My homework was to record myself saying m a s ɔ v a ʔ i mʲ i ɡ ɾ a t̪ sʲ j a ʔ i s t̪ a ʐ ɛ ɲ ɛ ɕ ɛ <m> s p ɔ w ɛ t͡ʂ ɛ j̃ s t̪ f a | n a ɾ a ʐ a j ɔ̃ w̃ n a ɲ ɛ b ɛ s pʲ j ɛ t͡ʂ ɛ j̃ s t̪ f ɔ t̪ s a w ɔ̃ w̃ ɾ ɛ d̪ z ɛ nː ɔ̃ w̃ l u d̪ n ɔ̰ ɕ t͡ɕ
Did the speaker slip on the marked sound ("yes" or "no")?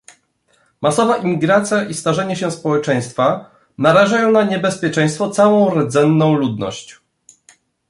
yes